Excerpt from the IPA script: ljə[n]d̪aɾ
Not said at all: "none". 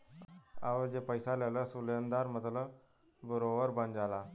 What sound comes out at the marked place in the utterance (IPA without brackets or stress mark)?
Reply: n